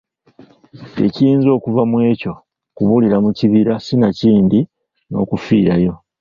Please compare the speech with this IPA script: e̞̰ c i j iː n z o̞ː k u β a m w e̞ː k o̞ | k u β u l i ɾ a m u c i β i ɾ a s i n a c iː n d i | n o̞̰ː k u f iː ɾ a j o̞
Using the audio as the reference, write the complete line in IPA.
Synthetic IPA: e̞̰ c i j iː n z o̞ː k u v a m w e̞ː c o̞ | k u β u l i ɾ a m u c i β i ɾ a s i n a c iː n d i | n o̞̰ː k u f iː ɾ a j o̞